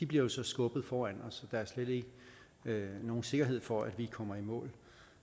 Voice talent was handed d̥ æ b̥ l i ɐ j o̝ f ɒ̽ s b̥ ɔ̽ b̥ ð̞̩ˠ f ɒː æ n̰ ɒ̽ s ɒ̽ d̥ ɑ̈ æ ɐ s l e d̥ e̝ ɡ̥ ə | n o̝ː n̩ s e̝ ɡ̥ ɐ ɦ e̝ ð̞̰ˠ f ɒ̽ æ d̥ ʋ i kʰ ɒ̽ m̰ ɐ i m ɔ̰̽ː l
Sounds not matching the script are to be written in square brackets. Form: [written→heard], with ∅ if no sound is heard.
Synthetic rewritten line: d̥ [æ→i] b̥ l i ɐ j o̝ [f→s] ɒ̽ s [b̥→ɡ̥] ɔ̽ b̥ ð̞̩ˠ f ɒː æ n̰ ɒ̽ s ɒ̽ d̥ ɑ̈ æ ɐ s l e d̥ e̝ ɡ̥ ə | n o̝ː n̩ s e̝ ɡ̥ ɐ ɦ e̝ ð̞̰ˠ f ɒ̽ æ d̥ ʋ i kʰ ɒ̽ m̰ ɐ i m ɔ̰̽ː l